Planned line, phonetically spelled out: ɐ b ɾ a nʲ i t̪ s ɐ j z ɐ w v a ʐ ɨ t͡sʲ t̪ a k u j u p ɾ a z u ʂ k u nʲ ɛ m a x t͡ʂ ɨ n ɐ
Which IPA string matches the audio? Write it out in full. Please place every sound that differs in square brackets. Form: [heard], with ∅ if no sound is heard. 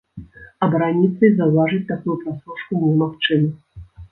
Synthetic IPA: ɐ b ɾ a nʲ i t̪ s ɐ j z ɐ w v a ʐ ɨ t͡sʲ t̪ a k u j u p ɾ a [s] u ʂ k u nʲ ɛ m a x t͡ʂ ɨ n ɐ

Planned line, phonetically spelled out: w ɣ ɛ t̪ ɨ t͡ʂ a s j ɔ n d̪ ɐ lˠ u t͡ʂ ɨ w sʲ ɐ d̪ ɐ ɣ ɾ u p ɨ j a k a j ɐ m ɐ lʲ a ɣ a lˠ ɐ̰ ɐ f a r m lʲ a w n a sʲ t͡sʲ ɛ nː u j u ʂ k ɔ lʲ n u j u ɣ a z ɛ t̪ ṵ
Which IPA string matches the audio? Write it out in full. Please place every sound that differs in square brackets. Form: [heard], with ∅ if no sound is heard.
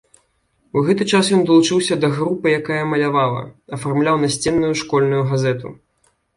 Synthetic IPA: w ɣ ɛ t̪ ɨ t͡ʂ a s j ɔ n d̪ ɐ lˠ u t͡ʂ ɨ w sʲ ɐ d̪ ɐ ɣ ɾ u p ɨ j a k a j ɐ m ɐ lʲ a [v] a lˠ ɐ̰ ɐ f a r m lʲ a w n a sʲ t͡sʲ ɛ nː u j u ʂ k ɔ lʲ n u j u ɣ a z ɛ t̪ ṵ

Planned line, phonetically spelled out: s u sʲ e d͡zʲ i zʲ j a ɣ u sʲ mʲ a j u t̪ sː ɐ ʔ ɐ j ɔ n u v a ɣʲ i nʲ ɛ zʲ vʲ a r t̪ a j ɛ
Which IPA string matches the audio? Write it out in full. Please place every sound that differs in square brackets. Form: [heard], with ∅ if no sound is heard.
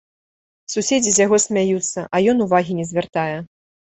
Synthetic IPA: s u sʲ e d͡zʲ i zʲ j a ɣ [ɔ] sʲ mʲ a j u t̪ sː ɐ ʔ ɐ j ɔ n u v a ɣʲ i nʲ ɛ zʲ vʲ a r t̪ a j ɛ

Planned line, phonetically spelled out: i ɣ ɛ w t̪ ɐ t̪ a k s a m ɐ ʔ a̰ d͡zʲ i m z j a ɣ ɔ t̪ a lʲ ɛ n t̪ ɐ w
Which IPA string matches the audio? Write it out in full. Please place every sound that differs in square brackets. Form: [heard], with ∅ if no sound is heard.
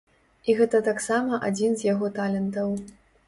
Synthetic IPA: i ɣ ɛ [∅] t̪ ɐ t̪ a k s a m ɐ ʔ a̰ d͡zʲ i [n] z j a ɣ ɔ t̪ a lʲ ɛ n t̪ ɐ w

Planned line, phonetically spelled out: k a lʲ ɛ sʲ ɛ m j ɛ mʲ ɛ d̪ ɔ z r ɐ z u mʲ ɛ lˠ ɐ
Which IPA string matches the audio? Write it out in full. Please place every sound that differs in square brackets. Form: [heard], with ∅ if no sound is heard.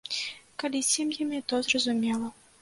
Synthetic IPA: k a lʲ [i] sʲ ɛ m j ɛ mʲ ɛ [t̪] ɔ z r ɐ z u mʲ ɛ lˠ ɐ

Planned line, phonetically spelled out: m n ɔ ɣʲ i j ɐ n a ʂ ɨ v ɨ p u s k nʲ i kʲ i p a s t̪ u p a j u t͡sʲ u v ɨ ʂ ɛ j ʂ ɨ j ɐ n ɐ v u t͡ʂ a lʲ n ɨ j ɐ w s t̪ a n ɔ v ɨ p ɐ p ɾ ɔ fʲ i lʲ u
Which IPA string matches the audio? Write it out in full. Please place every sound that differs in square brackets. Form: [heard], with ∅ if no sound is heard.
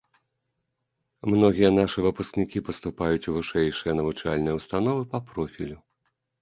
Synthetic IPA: m n ɔ ɣʲ i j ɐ n a ʂ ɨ v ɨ p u s k nʲ i kʲ i p [ɐ] s t̪ u p a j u t͡sʲ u v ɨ ʂ ɛ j ʂ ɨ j ɐ n ɐ v u t͡ʂ a lʲ n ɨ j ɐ w s t̪ a n ɔ v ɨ p ɐ p ɾ ɔ fʲ i lʲ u

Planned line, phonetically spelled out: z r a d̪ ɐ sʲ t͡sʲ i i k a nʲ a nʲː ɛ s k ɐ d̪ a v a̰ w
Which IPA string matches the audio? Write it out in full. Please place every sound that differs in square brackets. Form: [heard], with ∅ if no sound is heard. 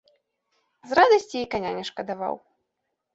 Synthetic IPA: z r a d̪ ɐ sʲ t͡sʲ i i k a nʲ a [nʲ] ɛ [ʂ] k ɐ d̪ a v a̰ w

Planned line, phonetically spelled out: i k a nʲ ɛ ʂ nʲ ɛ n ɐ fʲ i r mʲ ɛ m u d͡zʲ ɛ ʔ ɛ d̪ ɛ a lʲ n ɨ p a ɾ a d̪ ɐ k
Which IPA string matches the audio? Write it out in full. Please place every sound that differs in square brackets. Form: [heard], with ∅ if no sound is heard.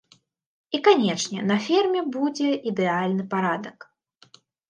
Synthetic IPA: i k a nʲ ɛ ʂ nʲ ɛ n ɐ fʲ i r mʲ ɛ [b] u d͡zʲ ɛ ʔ [i] d̪ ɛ a lʲ n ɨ p a ɾ a d̪ ɐ k

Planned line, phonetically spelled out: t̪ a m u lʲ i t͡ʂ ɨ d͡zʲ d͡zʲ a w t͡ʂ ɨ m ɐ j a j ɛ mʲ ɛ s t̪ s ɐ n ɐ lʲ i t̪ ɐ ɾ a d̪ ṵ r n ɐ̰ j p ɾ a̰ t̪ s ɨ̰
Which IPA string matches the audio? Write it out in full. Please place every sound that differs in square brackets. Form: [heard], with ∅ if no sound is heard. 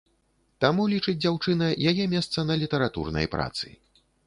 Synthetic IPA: t̪ a m u lʲ i t͡ʂ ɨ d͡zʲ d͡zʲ a w t͡ʂ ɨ [n] ɐ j a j ɛ mʲ ɛ s t̪ s ɐ n ɐ lʲ i t̪ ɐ ɾ a [t̪] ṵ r n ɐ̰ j p ɾ a̰ t̪ s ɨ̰

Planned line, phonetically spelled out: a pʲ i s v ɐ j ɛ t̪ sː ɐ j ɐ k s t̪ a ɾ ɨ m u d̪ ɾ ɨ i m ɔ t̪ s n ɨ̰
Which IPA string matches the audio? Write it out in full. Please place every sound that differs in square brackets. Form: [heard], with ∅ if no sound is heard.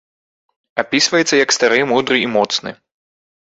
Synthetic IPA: a pʲ i s v ɐ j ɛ t̪ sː ɐ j ɐ k s t̪ a ɾ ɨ m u d̪ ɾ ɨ i m ɔ t̪ s n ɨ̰

